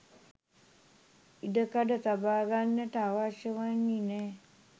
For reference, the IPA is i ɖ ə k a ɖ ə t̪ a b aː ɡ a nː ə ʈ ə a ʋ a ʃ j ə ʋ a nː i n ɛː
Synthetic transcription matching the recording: i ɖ ə k a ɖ ə t̪ a b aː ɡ a nː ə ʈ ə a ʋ a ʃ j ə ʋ a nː i n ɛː